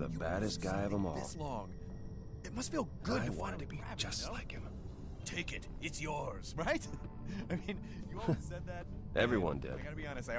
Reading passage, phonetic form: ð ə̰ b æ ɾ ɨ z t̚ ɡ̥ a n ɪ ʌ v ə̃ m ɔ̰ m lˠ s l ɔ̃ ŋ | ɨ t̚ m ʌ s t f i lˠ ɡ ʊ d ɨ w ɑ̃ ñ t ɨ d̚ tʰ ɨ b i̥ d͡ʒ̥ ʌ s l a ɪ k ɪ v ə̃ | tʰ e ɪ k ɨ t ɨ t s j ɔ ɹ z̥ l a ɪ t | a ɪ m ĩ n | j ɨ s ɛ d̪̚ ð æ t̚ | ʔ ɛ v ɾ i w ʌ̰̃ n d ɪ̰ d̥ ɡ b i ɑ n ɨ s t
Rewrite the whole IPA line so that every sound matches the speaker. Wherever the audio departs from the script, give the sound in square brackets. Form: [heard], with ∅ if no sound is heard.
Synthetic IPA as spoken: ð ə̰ b æ ɾ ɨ [s] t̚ ɡ̥ a [∅] ɪ ʌ v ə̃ m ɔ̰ [∅] lˠ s l ɔ̃ ŋ | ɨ t̚ m ʌ s t f i lˠ ɡ ʊ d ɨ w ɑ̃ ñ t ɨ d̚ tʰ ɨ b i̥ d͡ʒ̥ ʌ s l a ɪ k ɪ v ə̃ | tʰ e ɪ k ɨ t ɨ t s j ɔ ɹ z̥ [ɹ] a ɪ t | a ɪ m ĩ n | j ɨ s ɛ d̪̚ ð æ t̚ | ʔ ɛ v [ɹ] i w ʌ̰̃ n d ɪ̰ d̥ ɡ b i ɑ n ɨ s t